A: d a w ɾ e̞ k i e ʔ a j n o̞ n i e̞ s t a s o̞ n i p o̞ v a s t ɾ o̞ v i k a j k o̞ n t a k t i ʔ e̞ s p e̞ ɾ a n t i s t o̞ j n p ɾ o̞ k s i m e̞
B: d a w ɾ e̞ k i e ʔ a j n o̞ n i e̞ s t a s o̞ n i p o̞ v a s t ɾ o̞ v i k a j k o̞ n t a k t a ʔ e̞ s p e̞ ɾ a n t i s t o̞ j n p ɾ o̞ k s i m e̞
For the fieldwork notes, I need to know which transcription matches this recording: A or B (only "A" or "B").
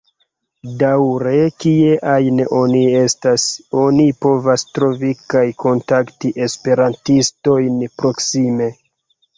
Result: A